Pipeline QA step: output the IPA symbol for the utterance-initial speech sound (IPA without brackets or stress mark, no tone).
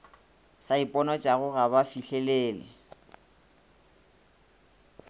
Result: s